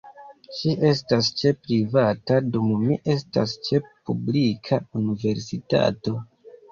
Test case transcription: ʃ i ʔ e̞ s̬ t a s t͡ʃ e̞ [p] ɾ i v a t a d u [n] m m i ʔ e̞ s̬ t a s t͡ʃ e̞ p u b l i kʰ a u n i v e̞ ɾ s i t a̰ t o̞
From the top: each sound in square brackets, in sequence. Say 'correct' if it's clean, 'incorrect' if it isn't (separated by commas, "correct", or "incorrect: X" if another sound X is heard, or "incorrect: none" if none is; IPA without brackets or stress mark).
correct, incorrect: none